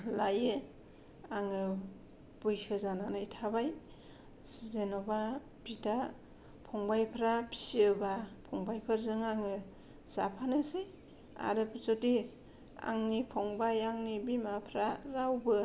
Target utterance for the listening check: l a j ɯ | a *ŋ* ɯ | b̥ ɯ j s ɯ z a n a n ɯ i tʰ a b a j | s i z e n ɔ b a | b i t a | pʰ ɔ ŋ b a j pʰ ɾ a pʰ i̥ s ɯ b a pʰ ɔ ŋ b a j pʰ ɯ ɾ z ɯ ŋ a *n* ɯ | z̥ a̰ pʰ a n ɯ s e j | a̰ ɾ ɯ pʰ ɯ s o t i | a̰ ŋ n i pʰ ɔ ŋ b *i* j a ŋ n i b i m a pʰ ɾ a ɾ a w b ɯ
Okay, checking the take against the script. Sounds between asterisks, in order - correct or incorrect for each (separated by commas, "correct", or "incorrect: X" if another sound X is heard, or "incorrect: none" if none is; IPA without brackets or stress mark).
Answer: correct, incorrect: ŋ, incorrect: a